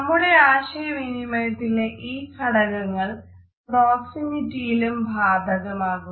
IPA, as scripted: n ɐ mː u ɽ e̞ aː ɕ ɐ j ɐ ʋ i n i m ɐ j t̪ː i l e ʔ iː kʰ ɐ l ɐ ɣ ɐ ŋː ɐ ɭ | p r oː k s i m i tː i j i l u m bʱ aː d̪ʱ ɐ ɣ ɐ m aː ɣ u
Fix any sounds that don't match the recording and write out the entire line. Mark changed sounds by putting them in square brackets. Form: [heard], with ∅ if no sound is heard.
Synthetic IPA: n ɐ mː u ɽ e̞ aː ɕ ɐ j ɐ ʋ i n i m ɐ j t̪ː i l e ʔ iː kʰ ɐ [ɽ] ɐ ɣ ɐ ŋː ɐ ɭ | p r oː k s i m i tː i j i l u m bʱ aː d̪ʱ ɐ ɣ ɐ m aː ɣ u